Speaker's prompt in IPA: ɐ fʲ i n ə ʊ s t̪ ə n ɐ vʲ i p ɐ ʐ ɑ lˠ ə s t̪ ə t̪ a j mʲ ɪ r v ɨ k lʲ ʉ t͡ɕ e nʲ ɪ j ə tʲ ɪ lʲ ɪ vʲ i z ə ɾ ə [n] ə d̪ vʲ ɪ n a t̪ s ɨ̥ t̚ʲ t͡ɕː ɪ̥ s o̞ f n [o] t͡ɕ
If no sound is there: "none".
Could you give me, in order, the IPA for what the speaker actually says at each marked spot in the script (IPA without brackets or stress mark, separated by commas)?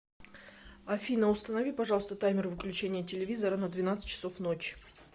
n, o